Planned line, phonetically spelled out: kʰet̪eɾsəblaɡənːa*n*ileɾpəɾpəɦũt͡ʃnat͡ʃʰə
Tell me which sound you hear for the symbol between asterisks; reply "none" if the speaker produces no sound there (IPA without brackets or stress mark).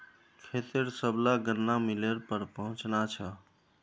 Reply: m